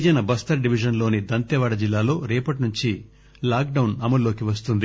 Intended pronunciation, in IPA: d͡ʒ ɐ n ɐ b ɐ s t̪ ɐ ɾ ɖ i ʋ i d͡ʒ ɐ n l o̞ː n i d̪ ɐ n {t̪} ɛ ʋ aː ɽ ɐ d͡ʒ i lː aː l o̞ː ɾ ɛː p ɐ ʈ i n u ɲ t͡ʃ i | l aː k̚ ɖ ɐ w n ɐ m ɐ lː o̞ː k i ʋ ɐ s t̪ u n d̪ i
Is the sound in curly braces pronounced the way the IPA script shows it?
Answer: yes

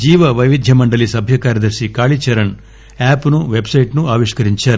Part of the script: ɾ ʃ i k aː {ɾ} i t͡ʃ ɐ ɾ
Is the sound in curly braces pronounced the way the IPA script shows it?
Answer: no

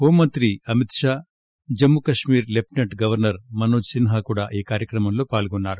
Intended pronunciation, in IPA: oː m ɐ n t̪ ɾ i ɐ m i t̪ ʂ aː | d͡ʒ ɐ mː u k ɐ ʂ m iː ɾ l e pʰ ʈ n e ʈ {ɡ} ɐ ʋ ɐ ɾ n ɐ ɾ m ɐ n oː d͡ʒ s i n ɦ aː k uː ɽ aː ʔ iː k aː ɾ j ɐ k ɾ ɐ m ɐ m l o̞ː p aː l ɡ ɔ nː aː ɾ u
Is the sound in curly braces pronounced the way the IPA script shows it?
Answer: yes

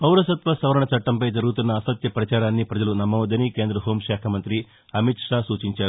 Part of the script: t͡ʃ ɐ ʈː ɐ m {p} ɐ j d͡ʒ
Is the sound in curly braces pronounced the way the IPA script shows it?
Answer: yes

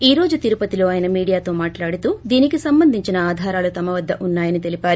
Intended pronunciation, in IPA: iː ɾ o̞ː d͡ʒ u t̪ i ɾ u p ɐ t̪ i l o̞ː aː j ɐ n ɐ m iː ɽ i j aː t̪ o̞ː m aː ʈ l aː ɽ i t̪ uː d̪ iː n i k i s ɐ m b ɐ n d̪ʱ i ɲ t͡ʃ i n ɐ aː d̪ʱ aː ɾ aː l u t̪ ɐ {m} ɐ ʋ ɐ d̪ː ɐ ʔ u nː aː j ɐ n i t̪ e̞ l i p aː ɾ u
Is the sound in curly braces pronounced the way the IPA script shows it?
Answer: yes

